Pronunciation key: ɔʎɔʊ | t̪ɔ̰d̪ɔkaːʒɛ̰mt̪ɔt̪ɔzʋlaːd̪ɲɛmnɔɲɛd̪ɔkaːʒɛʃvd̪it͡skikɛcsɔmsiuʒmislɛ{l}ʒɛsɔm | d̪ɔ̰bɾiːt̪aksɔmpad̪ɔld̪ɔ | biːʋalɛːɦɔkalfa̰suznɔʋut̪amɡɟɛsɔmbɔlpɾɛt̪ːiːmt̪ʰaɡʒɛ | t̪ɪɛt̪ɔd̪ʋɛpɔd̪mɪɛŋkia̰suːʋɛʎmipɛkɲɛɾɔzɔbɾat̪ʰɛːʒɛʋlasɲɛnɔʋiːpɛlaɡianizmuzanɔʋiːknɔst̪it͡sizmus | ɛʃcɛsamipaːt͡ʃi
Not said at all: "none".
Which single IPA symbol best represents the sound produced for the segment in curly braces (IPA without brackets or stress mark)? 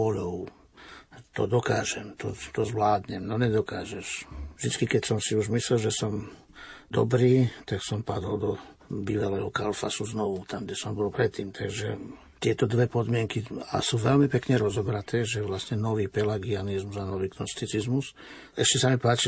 l